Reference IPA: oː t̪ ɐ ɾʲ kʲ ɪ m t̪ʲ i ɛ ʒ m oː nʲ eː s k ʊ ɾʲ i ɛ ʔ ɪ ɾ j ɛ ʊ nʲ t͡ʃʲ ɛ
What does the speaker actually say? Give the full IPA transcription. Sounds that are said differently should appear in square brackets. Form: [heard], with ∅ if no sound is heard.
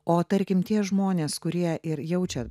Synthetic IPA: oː t̪ ɐ ɾʲ kʲ ɪ m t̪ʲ i ɛ ʒ m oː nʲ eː s k ʊ ɾʲ i ɛ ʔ ɪ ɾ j ɛ ʊ [∅] t͡ʃʲ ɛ

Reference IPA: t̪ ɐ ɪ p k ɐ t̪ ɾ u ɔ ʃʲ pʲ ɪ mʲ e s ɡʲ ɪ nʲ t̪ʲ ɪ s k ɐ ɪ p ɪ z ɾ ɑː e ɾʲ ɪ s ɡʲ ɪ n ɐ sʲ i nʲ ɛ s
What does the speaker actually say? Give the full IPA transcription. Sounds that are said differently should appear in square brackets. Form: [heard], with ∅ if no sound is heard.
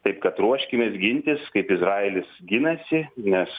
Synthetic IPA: t̪ ɐ ɪ p k ɐ t̪ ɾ u ɔ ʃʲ [kʲ] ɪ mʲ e s ɡʲ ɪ nʲ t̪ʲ ɪ s k ɐ ɪ p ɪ z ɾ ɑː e [lʲ] ɪ s ɡʲ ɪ n ɐ sʲ [ɪ] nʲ ɛ s

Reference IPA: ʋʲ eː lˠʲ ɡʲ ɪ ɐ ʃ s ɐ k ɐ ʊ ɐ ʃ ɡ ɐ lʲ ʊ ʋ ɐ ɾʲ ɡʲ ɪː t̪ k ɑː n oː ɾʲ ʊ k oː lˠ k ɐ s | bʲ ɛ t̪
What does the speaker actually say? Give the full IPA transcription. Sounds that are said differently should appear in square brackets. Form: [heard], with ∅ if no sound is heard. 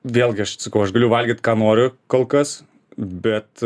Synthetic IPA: ʋʲ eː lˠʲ ɡʲ ɪ ɐ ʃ s ɐ k ɐ ʊ ɐ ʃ ɡ ɐ lʲ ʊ ʋ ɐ [lʲ] ɡʲ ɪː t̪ k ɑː n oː ɾʲ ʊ k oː lˠ k ɐ s | bʲ ɛ t̪

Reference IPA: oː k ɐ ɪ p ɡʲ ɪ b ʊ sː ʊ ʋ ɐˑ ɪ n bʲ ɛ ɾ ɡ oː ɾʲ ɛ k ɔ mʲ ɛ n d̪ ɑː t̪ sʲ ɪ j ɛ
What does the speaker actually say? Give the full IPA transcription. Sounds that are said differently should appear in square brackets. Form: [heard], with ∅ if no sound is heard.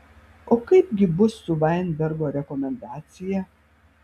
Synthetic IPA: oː k ɐ ɪ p ɡʲ ɪ b ʊ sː ʊ ʋ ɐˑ ɪ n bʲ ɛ ɾ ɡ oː ɾʲ ɛ k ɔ mʲ ɛ n d̪ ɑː t̪ sʲ ɪ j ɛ

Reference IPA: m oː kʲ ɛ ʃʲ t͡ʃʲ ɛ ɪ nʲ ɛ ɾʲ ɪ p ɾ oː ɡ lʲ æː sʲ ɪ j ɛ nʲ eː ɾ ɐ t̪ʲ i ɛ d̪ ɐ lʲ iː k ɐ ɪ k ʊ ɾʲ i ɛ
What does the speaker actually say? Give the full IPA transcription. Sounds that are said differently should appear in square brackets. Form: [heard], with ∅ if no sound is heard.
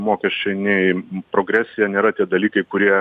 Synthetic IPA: m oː kʲ ɛ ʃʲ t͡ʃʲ ɛ ɪ nʲ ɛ [∅] ɪ p ɾ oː ɡ [ɾʲ] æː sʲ ɪ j ɛ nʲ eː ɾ ɐ t̪ʲ i ɛ d̪ ɐ lʲ iː k ɐ ɪ k ʊ ɾʲ i ɛ

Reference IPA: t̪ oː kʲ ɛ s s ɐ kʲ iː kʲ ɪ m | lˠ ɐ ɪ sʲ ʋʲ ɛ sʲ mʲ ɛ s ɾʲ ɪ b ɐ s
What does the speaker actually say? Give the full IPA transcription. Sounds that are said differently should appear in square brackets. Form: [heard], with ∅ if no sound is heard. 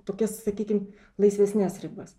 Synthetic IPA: t̪ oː kʲ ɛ s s ɐ kʲ iː kʲ ɪ m | lˠ ɐ ɪ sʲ ʋʲ ɛ sʲ [nʲ] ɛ s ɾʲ ɪ b ɐ s

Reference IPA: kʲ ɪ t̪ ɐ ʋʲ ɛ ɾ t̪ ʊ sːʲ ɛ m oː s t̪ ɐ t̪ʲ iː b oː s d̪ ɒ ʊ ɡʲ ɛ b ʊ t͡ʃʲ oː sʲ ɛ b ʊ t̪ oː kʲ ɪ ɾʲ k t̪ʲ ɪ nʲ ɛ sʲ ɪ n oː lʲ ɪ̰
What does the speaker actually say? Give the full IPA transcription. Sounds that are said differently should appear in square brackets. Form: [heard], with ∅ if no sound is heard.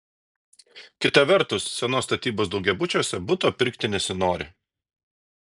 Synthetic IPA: kʲ ɪ t̪ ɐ ʋʲ ɛ ɾ t̪ ʊ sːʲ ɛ [n] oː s t̪ ɐ t̪ʲ iː b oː s d̪ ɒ ʊ ɡʲ ɛ b ʊ t͡ʃʲ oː sʲ ɛ b ʊ t̪ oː [pʲ] ɪ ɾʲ k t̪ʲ ɪ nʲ ɛ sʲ ɪ n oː [ɾʲ] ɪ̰

